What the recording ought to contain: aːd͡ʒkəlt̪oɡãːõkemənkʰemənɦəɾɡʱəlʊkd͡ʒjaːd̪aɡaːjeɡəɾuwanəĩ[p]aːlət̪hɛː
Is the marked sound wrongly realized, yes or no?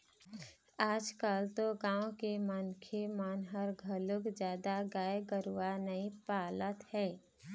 no